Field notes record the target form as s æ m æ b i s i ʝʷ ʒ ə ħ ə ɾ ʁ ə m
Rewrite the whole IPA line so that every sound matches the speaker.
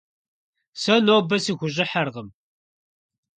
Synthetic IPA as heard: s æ n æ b æ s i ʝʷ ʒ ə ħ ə ɾ ʁ ə m